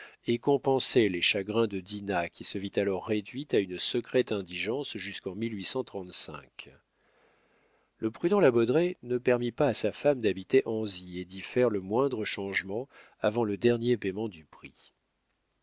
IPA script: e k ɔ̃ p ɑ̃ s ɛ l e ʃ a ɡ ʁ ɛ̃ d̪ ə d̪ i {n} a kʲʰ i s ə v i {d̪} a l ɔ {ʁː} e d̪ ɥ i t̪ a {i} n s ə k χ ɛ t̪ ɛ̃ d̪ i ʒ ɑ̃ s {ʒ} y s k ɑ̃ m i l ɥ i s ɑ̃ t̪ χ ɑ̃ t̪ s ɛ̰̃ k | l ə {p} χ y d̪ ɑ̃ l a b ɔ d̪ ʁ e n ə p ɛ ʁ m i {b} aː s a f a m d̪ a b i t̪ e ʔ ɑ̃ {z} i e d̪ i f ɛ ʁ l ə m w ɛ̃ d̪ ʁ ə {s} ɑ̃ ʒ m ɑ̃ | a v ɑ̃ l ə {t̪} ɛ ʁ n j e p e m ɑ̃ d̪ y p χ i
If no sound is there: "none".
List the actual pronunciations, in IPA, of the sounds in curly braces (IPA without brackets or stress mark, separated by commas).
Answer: n, t̪, ʁː, y, ʒ, p, p, z, ʃ, d̪